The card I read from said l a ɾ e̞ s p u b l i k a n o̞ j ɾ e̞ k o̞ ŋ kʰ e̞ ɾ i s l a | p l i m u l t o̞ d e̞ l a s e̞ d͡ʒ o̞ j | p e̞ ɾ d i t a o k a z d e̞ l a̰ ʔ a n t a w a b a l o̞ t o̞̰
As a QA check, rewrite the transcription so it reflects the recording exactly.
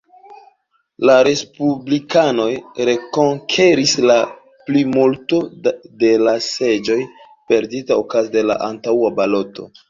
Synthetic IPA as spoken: l a ɾ e̞ s p u b l i k a n o̞ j ɾ e̞ k o̞ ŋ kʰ e̞ ɾ i s l a | p l i m u l t o̞ d e̞ l a s e̞ d͡ʒ o̞ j | p e̞ ɾ d i t a o k a z d e̞ l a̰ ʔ a n t a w a b a l o̞ t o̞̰